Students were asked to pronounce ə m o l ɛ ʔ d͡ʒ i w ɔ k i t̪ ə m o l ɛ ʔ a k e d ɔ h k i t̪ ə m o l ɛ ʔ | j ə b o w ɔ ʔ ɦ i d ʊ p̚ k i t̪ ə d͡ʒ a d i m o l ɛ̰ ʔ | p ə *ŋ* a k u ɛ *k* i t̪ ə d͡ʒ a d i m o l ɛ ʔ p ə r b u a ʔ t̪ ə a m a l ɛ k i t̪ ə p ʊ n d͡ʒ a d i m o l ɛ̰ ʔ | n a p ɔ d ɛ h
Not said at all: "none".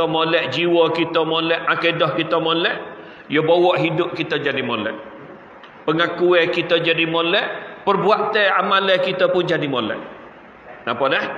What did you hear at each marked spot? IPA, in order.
ŋ, k

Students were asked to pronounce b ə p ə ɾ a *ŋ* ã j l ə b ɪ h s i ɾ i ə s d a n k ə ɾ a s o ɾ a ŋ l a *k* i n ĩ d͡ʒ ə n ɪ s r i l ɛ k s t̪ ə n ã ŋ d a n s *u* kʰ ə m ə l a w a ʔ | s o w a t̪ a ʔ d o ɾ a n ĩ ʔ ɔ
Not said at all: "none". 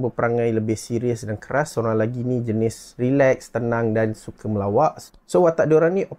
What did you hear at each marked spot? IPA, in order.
ŋ, ɡ, u

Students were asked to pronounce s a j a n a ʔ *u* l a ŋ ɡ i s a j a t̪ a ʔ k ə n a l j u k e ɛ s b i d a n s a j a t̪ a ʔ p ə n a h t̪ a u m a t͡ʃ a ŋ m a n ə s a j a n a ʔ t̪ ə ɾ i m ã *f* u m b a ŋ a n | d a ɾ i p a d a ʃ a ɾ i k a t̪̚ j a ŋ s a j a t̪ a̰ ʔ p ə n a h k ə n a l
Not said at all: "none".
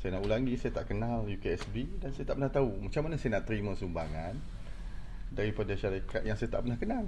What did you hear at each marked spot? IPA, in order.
u, s

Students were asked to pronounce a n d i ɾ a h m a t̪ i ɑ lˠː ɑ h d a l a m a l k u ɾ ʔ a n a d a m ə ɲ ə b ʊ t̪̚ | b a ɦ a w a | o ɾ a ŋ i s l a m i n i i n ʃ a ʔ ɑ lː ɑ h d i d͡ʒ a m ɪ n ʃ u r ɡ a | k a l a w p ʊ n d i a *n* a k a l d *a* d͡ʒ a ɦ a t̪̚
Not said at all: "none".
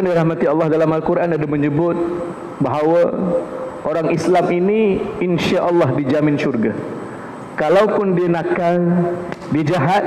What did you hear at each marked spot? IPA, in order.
n, i

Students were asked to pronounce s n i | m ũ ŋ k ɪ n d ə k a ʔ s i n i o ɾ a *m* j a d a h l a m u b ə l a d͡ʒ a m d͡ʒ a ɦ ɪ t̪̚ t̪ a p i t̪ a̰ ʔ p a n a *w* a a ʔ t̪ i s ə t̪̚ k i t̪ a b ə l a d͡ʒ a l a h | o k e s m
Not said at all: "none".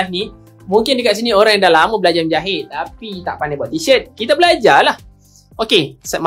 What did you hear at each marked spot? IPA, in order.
ŋ, b

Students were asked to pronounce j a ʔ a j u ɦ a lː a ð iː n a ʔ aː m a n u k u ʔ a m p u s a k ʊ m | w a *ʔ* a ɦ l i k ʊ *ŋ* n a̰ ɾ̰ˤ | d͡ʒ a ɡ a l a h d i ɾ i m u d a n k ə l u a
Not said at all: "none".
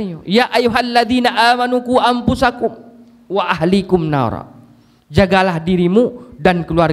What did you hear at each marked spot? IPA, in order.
ʔ, m

